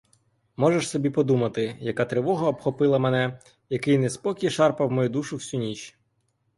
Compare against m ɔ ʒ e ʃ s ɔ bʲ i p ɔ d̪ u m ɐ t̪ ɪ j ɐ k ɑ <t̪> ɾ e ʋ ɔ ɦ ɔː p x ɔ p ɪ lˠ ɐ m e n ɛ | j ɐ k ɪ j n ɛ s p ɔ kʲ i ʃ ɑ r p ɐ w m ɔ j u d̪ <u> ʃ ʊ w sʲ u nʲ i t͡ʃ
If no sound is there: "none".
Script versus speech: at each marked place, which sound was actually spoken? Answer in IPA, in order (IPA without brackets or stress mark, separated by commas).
t̪, u